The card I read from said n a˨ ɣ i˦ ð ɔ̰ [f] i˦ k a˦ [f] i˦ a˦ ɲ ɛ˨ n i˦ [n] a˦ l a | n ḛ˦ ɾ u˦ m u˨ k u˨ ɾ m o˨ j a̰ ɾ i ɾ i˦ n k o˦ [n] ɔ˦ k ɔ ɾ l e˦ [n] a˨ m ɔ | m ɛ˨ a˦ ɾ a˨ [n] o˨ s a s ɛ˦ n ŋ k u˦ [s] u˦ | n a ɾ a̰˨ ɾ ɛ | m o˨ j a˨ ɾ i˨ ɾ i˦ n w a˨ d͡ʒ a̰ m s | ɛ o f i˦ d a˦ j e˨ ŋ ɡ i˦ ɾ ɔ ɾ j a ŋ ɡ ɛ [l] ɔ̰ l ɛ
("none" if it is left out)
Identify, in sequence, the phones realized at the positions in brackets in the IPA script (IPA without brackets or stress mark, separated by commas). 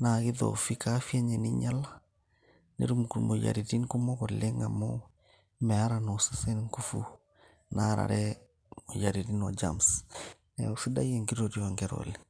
f, f, ɲ, m, ŋ, n, f, ɾ